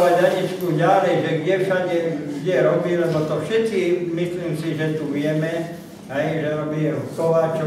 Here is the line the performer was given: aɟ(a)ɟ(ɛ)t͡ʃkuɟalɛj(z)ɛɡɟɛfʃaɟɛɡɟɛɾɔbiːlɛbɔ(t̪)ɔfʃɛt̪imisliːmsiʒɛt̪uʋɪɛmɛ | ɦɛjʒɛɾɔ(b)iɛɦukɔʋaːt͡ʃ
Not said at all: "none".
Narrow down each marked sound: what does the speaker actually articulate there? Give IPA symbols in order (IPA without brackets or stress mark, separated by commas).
a, i, ʒ, t̪, b